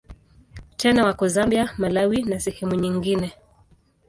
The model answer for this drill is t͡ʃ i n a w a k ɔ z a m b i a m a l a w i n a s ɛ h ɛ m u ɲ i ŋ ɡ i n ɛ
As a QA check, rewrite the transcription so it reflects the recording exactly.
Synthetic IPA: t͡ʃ ɛ n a w a k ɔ z a m b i a m a l a w i n a s ɛ h ɛ m u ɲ i ŋ ɡ i n ɛ